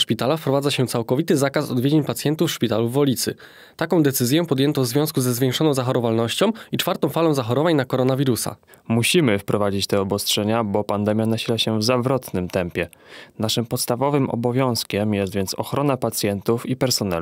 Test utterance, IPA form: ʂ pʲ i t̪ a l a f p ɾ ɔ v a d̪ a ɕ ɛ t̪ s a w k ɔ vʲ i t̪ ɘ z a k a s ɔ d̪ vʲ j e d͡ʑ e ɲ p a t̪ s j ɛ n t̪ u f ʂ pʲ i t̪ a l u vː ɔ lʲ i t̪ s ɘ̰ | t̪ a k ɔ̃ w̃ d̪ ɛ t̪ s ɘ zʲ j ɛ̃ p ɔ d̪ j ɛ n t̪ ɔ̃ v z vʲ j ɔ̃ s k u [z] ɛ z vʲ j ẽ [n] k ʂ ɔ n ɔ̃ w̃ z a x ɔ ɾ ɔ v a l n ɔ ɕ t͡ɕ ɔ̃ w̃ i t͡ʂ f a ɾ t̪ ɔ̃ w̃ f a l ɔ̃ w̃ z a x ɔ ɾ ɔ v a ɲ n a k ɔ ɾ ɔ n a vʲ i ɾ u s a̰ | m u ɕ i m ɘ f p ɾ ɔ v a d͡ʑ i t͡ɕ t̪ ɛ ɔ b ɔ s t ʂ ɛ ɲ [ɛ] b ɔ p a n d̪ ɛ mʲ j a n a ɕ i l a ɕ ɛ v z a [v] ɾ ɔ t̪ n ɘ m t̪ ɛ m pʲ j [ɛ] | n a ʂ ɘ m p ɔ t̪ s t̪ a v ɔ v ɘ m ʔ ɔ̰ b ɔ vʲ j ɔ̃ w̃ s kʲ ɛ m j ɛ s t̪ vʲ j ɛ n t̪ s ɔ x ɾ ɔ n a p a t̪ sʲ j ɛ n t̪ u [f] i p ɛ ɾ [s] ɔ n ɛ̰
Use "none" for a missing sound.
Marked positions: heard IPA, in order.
z, ŋ, a, v, ɛ, f, s

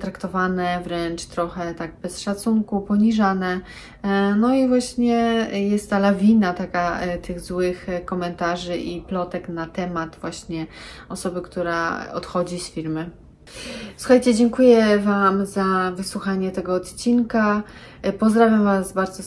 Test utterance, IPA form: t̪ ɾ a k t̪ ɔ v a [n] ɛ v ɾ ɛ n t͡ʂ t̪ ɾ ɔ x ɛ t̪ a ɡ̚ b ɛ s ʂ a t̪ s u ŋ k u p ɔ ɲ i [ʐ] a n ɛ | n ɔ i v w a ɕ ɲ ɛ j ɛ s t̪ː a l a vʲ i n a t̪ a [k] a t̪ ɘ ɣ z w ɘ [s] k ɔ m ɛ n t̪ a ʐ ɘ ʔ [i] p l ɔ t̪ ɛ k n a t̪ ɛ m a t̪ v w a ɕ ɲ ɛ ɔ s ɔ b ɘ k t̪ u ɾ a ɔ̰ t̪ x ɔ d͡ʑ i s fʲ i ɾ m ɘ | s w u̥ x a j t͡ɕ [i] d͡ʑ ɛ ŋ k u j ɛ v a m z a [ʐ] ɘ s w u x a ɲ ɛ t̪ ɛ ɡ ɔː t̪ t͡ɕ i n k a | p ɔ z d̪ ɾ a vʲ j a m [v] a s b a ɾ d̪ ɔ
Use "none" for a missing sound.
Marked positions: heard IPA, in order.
n, ʐ, k, x, i, ɛ, v, v

